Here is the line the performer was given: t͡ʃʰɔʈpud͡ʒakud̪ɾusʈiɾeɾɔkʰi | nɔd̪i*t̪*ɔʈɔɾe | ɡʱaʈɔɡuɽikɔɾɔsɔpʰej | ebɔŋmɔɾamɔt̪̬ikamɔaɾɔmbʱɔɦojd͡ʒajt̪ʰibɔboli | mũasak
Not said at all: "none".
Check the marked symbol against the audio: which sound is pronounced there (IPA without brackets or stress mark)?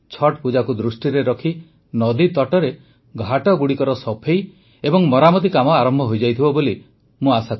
t̪